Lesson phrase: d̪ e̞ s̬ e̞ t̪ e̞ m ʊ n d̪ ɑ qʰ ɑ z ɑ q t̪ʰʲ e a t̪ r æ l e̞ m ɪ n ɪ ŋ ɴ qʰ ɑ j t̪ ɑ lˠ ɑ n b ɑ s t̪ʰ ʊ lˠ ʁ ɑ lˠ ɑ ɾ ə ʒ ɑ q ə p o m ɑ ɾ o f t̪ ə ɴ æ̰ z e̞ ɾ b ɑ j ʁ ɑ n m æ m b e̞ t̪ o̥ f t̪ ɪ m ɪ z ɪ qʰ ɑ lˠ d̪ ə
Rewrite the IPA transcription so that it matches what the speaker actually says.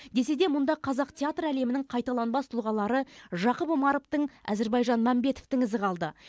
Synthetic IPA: d̪ e̞ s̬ e̞ d̪ e̞ m ʊ n d̪ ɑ qʰ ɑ z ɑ q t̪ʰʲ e a t̪ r æ l e̞ m ɪ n ɪ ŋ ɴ qʰ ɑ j t̪ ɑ lˠ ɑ n b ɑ s t̪ʰ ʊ lˠ ʁ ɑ lˠ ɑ ɾ ə ʒ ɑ q ə p o m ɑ ɾ o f t̪ ə ɴ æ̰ z e̞ ɾ b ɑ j ʒ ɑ n m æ m b e̞ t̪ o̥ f t̪ ɪ ŋ ɪ z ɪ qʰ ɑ lˠ d̪ ə